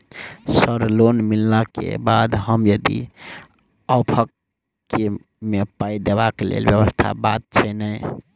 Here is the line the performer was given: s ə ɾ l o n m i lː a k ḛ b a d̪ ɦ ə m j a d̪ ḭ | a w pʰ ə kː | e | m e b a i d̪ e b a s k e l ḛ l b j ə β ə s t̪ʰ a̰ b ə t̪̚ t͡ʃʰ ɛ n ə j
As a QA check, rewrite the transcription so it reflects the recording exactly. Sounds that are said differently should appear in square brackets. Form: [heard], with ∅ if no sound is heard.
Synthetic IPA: s ə ɾ l o n m i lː a k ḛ b a d̪ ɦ ə m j [ə] d̪ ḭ | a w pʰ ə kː | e | m e [p] a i d̪ e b a [∅] k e l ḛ l b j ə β ə s t̪ʰ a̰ b [a] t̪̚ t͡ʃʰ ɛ n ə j